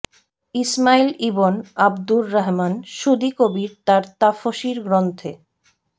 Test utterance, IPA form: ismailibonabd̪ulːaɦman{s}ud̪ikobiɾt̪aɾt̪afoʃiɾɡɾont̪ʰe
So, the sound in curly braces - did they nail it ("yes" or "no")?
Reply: no